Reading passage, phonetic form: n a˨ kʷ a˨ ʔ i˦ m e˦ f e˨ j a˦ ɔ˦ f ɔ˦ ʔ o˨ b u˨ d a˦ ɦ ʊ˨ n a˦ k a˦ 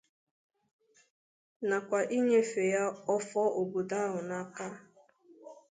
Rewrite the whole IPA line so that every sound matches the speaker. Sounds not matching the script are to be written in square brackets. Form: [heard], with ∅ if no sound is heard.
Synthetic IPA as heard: n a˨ kʷ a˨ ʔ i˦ [ɲ] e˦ f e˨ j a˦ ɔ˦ f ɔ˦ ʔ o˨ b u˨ d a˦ ɦ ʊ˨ n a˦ k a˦